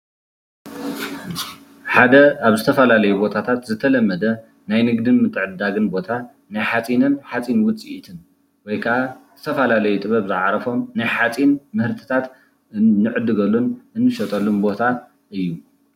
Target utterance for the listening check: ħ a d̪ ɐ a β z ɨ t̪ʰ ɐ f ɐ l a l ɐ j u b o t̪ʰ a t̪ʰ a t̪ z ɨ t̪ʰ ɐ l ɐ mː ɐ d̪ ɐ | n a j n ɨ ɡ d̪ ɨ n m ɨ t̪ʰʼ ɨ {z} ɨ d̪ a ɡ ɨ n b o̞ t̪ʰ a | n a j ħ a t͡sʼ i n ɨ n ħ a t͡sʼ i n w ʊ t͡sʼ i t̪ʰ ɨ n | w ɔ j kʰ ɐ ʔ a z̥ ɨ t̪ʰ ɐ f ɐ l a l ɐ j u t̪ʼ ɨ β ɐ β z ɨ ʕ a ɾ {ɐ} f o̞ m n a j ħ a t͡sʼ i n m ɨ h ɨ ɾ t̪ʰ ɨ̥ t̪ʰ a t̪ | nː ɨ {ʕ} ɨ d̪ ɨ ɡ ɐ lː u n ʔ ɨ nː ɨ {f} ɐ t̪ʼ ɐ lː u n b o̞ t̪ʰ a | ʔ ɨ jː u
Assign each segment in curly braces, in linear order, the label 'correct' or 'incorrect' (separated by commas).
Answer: incorrect, correct, correct, incorrect